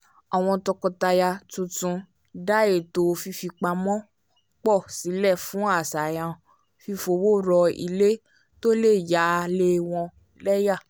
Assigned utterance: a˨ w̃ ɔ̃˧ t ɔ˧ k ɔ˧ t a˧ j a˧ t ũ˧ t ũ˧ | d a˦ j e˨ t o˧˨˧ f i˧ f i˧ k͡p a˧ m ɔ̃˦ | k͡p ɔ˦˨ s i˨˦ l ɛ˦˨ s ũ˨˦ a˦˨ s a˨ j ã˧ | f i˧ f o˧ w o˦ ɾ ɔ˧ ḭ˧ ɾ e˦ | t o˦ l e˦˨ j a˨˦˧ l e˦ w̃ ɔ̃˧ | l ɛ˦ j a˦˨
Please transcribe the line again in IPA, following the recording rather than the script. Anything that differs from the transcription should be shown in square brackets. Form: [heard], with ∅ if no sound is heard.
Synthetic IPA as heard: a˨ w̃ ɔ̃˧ t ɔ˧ k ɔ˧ t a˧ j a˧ t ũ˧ t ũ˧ | d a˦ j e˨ t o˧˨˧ f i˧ f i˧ k͡p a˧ m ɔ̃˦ | k͡p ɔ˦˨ s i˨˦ l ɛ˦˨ [f] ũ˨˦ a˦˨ s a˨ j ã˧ | f i˧ f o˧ w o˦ ɾ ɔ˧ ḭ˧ [l] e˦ | t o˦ l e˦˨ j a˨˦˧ l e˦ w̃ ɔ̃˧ | l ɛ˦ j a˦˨